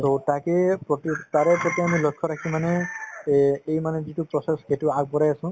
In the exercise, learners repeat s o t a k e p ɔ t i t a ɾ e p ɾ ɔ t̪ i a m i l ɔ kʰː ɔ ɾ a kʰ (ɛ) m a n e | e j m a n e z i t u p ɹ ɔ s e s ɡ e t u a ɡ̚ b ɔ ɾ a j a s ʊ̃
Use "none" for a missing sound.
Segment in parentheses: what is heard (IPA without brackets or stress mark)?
i